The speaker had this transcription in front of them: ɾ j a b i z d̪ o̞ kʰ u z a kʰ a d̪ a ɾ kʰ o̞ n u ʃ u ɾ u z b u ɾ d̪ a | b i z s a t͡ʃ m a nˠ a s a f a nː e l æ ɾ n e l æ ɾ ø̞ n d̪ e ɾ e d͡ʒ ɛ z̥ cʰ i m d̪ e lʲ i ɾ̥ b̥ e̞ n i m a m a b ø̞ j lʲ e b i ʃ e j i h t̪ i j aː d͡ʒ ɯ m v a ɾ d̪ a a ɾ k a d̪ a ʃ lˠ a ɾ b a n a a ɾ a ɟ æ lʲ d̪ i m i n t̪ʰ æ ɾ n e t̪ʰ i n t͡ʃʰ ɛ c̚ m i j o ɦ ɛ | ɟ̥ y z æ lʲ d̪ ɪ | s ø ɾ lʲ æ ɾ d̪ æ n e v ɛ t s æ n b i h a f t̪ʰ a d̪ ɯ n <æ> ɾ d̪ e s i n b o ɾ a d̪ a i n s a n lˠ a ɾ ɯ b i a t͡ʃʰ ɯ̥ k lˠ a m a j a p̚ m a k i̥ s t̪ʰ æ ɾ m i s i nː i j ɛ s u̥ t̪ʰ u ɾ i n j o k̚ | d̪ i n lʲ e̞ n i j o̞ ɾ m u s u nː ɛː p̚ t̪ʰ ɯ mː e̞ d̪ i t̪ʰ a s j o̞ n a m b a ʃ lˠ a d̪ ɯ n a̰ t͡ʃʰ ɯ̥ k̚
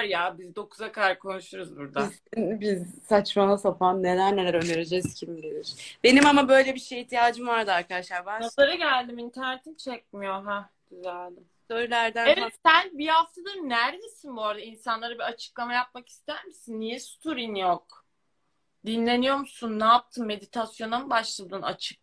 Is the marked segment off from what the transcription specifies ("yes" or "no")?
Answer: no